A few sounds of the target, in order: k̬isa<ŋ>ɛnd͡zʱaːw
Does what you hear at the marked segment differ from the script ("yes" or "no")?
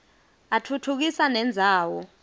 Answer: yes